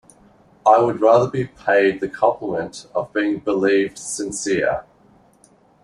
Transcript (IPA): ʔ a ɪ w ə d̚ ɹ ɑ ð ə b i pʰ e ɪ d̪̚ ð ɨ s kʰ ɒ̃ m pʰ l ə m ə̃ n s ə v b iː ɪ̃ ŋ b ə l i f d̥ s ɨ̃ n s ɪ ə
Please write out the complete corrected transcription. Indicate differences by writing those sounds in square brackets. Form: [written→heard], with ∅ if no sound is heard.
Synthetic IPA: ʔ a ɪ w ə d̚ ɹ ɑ ð ə b i pʰ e ɪ d̪̚ ð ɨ [s→∅] kʰ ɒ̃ m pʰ l ə m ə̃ n [s→t] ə v b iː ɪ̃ ŋ b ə l i [f→v] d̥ s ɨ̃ n s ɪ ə